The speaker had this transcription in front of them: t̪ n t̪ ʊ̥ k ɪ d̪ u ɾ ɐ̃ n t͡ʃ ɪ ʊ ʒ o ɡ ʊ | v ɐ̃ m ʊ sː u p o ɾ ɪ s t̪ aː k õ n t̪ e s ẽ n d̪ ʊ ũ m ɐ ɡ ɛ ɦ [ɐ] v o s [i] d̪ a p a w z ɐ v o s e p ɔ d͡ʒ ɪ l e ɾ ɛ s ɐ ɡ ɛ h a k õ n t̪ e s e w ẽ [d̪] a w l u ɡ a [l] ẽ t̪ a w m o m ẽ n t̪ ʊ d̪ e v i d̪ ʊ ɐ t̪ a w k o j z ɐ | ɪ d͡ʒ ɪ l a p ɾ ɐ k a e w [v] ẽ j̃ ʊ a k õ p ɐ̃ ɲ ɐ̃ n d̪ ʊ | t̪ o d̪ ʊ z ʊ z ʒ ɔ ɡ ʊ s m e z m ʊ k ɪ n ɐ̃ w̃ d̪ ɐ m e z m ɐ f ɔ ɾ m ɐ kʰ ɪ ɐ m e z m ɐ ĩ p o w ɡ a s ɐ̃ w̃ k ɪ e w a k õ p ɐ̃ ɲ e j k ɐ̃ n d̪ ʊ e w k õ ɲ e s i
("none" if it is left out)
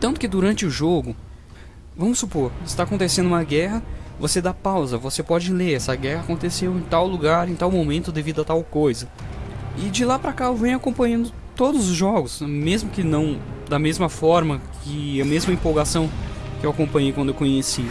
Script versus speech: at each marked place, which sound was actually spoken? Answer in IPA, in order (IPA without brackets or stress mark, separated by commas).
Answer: ɐ, e, t̪, ɾ, v